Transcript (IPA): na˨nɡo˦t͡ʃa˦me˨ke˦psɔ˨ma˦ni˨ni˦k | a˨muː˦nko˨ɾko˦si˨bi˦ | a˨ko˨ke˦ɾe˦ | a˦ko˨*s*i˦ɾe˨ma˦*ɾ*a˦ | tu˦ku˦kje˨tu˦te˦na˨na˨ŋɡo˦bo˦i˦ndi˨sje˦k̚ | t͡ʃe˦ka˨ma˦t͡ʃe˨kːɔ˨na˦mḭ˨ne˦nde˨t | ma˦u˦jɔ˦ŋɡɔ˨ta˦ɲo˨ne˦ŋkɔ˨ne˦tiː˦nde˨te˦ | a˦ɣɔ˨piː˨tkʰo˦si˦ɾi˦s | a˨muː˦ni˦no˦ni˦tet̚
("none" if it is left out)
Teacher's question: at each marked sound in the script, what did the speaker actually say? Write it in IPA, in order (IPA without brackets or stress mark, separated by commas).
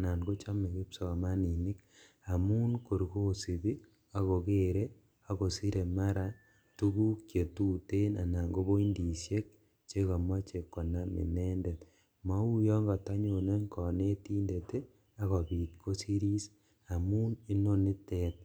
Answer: s, ɾ